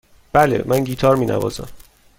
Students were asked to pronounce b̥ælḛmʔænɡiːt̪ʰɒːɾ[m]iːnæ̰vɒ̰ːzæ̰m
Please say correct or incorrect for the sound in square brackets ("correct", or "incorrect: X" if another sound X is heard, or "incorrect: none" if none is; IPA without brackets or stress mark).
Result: correct